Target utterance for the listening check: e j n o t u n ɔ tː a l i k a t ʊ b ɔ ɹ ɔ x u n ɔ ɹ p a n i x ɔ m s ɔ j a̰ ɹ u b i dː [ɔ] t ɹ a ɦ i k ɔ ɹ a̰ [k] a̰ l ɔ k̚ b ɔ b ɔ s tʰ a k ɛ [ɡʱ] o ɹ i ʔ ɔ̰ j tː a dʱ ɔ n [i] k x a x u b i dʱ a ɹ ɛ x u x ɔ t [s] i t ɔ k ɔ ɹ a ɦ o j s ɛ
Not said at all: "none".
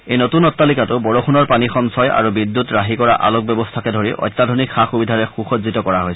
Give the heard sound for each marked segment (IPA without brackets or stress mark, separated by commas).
u, ʔ, dʱ, i, z